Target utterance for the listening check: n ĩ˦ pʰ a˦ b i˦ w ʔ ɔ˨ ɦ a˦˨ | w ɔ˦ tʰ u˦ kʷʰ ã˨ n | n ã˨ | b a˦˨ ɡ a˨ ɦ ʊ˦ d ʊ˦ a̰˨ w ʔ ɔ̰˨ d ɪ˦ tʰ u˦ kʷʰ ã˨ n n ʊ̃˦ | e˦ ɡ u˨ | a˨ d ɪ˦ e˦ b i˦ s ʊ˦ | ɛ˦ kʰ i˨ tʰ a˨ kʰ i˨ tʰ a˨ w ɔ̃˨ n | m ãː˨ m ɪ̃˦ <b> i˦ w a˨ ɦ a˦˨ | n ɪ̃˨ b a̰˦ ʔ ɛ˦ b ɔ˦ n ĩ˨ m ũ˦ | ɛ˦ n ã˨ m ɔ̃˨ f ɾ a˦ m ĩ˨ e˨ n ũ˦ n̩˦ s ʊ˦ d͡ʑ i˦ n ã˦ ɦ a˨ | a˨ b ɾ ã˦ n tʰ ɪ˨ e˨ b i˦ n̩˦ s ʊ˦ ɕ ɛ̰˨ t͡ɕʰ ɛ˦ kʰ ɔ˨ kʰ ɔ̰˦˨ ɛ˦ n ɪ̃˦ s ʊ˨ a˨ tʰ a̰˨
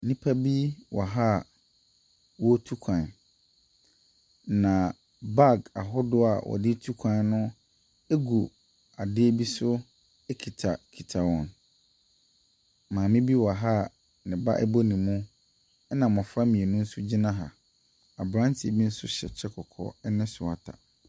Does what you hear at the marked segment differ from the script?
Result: no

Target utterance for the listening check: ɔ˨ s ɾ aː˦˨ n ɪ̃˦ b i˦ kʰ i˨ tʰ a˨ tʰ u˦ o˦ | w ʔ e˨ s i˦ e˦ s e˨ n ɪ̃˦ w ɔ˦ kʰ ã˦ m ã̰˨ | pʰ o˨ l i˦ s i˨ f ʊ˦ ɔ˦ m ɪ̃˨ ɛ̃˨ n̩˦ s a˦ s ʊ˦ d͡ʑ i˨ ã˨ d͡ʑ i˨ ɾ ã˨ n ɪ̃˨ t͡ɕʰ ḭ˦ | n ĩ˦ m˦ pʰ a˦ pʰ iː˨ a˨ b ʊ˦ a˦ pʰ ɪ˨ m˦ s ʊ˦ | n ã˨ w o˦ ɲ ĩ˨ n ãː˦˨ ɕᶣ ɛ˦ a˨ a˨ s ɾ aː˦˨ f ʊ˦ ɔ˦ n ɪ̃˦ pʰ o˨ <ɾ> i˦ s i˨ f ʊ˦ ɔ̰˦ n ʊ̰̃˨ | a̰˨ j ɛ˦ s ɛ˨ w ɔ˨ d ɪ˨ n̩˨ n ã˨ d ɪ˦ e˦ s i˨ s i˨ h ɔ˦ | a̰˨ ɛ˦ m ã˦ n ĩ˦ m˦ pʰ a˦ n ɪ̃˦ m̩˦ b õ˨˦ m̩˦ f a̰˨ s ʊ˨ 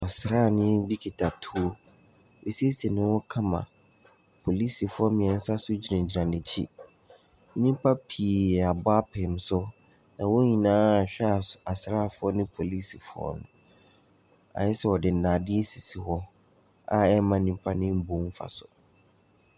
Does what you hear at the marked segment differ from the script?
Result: yes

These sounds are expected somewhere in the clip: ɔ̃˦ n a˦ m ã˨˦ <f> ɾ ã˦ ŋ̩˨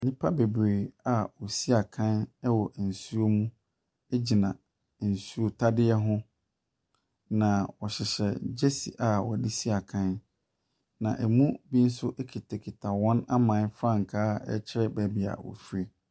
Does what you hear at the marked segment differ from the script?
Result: no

